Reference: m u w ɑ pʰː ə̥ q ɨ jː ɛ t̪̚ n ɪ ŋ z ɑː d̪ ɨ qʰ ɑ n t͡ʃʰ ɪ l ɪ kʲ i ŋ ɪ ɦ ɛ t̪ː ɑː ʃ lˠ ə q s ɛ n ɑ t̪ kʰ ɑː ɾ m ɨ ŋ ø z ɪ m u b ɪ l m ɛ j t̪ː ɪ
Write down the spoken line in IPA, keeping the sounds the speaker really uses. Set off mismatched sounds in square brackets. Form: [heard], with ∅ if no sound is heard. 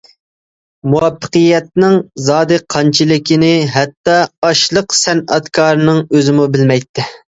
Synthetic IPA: m u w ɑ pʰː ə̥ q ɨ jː ɛ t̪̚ n ɪ ŋ z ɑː d̪ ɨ qʰ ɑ n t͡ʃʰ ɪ l ɪ kʲ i [n] ɪ ɦ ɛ t̪ː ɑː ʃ lˠ ə q s ɛ n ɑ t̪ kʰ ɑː ɾ [n] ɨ ŋ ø z ɪ m u b ɪ l m ɛ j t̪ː ɪ